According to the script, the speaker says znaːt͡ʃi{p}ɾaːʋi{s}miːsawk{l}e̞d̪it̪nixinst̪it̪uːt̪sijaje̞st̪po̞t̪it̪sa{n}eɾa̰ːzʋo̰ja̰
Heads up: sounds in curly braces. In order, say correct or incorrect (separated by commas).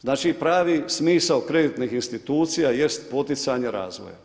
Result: correct, correct, incorrect, incorrect